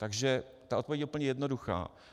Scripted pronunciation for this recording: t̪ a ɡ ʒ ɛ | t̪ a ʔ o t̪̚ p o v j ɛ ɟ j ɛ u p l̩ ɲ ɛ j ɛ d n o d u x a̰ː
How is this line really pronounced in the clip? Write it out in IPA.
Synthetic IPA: t̪ a ɡ ʒ ɛ | t̪ a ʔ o t̪̚ p o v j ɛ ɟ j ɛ u p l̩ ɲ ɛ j ɛ d n o d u x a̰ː